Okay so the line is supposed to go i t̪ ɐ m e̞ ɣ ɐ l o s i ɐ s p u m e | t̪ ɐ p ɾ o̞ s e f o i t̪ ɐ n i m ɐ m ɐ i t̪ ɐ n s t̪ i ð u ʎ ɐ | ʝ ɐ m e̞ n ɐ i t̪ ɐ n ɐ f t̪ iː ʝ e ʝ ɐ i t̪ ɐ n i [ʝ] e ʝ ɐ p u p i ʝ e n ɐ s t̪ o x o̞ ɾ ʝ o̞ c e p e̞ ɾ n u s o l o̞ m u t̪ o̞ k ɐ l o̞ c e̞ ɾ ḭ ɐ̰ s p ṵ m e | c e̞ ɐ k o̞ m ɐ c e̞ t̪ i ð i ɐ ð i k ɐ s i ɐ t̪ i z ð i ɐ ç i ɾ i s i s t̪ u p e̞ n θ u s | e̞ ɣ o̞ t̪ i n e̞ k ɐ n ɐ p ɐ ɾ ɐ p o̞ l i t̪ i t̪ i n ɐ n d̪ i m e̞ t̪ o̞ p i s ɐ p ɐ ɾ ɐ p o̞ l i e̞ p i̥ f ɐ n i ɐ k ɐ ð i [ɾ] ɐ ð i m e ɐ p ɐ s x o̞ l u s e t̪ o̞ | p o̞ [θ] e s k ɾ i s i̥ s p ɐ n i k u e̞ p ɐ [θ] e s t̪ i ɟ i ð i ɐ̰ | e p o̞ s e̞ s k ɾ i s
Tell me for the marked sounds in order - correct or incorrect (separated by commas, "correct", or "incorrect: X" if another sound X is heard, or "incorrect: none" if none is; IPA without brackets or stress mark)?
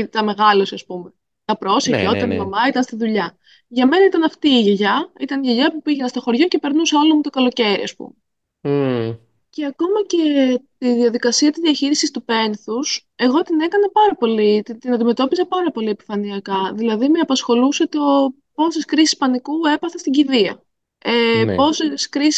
correct, incorrect: l, incorrect: s, correct